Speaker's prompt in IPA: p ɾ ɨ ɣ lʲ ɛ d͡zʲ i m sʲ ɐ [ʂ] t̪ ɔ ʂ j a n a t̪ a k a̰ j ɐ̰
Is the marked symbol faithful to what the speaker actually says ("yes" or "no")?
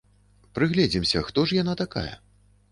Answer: no